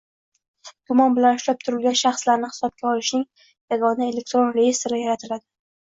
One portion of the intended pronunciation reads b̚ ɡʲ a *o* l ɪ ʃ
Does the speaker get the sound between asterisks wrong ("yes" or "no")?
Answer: yes